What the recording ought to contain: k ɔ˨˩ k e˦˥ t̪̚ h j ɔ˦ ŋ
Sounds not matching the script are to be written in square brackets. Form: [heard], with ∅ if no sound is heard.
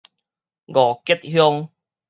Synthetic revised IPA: [ɡ] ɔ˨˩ k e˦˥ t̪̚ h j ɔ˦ ŋ